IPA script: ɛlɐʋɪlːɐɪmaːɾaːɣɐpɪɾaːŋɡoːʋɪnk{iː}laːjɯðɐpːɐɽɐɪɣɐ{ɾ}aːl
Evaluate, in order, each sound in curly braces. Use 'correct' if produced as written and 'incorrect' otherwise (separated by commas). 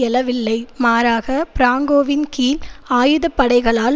correct, incorrect